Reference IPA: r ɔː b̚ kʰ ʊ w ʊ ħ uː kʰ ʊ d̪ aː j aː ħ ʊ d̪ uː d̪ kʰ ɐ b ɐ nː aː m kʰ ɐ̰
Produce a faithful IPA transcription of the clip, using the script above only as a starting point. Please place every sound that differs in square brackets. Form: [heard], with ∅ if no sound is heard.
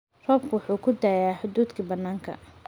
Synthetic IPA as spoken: r ɔː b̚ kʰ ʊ w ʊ ħ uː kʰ ʊ d̪ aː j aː ħ ʊ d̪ uː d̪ kʰ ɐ b ɐ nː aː [ŋ] kʰ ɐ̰

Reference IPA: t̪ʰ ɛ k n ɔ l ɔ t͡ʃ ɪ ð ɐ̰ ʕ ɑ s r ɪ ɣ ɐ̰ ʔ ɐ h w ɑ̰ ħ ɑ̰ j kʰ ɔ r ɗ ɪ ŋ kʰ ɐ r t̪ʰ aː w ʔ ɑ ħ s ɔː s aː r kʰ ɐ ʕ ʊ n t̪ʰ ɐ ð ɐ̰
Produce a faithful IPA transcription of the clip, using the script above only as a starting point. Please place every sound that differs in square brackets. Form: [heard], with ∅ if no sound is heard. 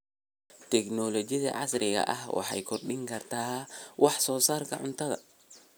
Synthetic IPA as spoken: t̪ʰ ɛ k n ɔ l ɔ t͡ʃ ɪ ð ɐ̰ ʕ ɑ s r ɪ ɣ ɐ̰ ʔ ɐ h w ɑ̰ ħ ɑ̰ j kʰ ɔ r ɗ ɪ ŋ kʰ ɐ r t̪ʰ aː w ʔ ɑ ħ s ɔː s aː r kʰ ɐ ʕ ʊ n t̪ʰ ɐ ð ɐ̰

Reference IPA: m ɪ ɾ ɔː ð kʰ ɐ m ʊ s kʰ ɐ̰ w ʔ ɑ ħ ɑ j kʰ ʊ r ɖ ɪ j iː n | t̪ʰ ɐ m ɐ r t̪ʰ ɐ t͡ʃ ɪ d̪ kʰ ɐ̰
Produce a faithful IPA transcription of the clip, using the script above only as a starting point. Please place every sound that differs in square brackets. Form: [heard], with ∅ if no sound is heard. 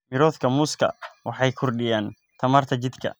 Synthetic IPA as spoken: m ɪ ɾ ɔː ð kʰ ɐ m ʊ s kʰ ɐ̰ w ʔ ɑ ħ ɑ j kʰ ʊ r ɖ ɪ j [aː] n | t̪ʰ ɐ m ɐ r t̪ʰ ɐ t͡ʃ ɪ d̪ kʰ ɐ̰

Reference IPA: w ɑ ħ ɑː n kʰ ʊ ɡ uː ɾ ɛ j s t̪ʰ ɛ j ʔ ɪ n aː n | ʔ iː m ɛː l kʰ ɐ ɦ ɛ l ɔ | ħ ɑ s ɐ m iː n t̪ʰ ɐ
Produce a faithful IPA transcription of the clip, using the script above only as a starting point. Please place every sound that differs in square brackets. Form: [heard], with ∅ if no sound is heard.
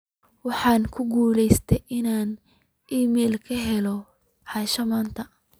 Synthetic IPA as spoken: w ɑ ħ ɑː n kʰ ʊ ɡ uː [l] ɛ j s t̪ʰ ɛ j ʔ ɪ n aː n | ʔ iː m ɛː l kʰ ɐ ɦ ɛ l ɔ | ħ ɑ [ʃ] ɐ m [aː] n t̪ʰ ɐ

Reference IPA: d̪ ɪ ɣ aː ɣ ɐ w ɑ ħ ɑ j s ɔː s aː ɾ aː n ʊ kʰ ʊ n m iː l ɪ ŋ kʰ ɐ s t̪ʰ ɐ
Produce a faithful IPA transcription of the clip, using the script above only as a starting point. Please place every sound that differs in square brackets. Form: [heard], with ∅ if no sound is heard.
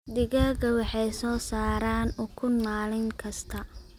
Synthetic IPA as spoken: d̪ ɪ ɣ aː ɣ ɐ w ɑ ħ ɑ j s ɔː s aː ɾ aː n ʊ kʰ ʊ n m [aː] l ɪ ŋ kʰ ɐ s t̪ʰ ɐ

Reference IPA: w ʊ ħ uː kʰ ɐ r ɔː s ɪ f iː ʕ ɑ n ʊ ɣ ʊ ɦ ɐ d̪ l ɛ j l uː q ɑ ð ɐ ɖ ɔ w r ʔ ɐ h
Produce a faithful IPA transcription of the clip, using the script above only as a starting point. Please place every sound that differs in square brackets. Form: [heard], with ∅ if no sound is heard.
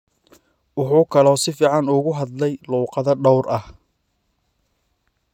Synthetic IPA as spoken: w ʊ ħ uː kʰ ɐ [l] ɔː s ɪ f iː ʕ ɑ n ʊ ɣ ʊ ɦ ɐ d̪ l ɛ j l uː q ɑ ð ɐ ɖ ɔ w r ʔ ɐ h

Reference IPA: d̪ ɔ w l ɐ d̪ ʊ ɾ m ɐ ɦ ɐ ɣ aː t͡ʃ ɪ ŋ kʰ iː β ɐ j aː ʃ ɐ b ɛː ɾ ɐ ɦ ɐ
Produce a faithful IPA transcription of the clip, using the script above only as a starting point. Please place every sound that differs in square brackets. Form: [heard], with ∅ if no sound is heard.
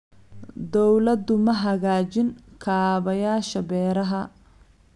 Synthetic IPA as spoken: d̪ ɔ w l ɐ d̪ ʊ [∅] m ɐ ɦ ɐ ɣ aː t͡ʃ ɪ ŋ kʰ [aː] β ɐ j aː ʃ ɐ b ɛː ɾ ɐ ɦ ɐ

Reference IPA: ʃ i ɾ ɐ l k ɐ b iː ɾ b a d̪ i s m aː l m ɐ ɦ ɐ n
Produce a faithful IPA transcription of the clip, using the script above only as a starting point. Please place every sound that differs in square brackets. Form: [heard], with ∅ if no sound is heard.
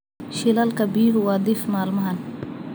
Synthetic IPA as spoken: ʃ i [l] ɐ l k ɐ b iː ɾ [w] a d̪ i [f] m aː l m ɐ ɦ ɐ n

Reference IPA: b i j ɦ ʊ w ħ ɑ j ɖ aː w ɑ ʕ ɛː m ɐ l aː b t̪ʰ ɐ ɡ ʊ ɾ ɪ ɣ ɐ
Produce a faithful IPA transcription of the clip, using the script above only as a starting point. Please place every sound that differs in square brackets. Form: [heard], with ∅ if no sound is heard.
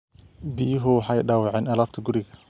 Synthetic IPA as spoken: b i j ɦ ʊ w ħ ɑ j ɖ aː w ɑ ʕ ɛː [n] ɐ l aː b t̪ʰ ɐ ɡ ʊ ɾ ɪ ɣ ɐ

